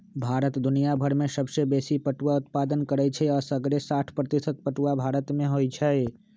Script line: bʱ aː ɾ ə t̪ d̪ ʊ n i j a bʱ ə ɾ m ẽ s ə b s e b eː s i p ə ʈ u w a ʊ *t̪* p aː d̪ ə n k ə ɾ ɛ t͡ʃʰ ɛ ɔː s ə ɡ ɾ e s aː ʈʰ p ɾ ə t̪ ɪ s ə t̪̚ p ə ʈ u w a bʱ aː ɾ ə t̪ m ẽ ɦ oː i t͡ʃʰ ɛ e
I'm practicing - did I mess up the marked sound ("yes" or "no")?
no